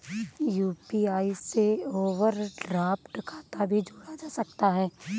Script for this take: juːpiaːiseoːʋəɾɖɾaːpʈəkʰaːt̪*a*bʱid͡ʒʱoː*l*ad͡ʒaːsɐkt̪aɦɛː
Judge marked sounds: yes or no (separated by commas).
yes, no